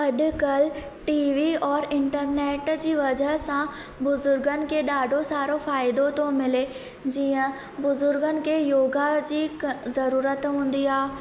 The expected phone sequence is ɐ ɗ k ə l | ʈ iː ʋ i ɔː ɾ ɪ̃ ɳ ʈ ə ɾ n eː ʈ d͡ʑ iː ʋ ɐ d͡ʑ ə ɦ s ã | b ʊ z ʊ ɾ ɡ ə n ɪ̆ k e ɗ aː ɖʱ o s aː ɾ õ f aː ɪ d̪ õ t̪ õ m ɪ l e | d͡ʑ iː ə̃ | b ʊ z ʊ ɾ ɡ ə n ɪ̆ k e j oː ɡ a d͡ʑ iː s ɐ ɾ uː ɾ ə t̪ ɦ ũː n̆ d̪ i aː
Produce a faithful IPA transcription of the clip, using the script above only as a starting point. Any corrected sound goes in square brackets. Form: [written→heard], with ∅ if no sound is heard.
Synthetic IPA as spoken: ɐ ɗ k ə l | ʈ iː ʋ i ɔː ɾ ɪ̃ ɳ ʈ ə ɾ n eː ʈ d͡ʑ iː ʋ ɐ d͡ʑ ə ɦ s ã | b ʊ z ʊ ɾ ɡ ə n ɪ̆ k e ɗ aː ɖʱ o s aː ɾ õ f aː ɪ d̪ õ t̪ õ m ɪ l e | d͡ʑ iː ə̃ | b ʊ z ʊ ɾ ɡ ə n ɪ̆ k e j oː ɡ a d͡ʑ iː [s→z] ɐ ɾ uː ɾ ə t̪ ɦ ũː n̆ d̪ i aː